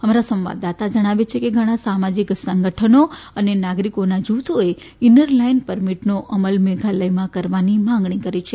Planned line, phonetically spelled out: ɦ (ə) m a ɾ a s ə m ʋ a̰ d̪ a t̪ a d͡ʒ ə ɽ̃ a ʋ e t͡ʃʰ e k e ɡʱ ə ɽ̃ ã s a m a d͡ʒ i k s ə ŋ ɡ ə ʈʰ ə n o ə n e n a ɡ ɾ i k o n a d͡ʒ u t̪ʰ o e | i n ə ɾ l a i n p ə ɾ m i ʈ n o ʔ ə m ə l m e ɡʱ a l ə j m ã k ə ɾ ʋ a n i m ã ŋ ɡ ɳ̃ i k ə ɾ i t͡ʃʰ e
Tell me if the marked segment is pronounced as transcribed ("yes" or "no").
yes